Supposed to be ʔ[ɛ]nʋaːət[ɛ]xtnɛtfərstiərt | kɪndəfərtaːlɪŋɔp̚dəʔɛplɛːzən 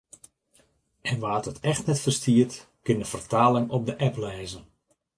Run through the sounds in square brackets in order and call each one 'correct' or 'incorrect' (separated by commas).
correct, correct